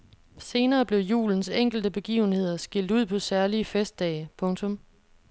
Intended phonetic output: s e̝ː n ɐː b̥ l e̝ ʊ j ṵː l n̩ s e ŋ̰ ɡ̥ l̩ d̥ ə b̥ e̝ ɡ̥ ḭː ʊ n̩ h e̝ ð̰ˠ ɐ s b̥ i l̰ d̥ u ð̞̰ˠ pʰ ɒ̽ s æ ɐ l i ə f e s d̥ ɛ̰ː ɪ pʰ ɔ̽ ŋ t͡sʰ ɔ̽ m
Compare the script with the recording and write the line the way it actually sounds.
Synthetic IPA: s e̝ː n ɐː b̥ l e̝ ʊ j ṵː l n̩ s e ŋ̰ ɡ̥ l̩ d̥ ə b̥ e̝ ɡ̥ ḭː ʊ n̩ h e̝ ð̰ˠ ɐ s ɡ̥ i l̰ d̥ u ð̞̰ˠ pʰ ɒ̽ s æ ɐ l i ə f e s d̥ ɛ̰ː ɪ pʰ ɔ̽ ŋ t͡sʰ ɔ̽ m